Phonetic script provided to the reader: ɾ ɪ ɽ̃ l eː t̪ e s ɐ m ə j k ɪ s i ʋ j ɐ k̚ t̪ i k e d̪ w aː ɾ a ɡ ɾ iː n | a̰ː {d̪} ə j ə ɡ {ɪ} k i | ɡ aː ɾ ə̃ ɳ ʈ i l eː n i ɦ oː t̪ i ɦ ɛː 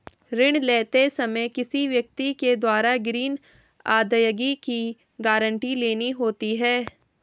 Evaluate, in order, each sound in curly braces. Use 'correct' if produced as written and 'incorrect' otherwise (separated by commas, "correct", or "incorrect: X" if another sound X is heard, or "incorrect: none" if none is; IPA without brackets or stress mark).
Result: correct, incorrect: i